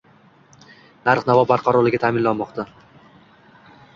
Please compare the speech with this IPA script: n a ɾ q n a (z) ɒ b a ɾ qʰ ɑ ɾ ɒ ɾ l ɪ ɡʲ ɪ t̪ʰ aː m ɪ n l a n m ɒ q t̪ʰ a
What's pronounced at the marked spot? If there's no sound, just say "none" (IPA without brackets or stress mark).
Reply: v